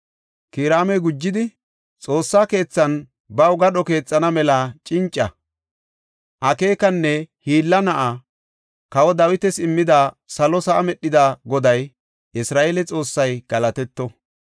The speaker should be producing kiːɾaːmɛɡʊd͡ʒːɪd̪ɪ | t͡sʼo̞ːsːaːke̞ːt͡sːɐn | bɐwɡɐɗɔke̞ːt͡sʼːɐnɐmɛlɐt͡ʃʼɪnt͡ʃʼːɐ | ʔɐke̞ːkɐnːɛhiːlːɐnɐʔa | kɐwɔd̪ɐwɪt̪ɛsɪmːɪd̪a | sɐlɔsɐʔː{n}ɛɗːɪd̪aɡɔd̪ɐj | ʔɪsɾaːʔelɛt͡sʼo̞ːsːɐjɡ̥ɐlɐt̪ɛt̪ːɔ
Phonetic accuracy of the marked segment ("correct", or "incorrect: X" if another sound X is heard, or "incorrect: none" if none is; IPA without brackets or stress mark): incorrect: m